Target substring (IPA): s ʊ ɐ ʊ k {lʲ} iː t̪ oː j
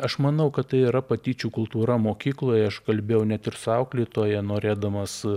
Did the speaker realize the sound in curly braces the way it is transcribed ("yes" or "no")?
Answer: yes